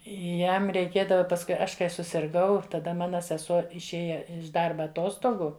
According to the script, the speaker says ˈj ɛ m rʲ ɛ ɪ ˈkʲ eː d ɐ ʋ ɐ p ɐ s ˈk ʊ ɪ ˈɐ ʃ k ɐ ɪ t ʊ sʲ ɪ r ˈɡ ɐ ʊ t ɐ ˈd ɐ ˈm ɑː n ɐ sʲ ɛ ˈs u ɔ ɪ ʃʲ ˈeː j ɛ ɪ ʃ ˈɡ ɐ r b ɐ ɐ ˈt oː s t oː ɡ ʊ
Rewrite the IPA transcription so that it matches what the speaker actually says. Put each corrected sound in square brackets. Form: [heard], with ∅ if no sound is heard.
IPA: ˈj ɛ m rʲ ɛ ɪ ˈkʲ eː d ɐ ʋ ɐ p ɐ s ˈk ʊ ɪ ˈɐ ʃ k ɐ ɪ [s] ʊ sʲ ɪ r ˈɡ ɐ ʊ t ɐ ˈd ɐ ˈm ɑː n ɐ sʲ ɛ ˈs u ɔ ɪ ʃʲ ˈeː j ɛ ɪ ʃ [ˈd] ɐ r b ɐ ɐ ˈt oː s t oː ɡ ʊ